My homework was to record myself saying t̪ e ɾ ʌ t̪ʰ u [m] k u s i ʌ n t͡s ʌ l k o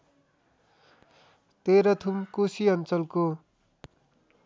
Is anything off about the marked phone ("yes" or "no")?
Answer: no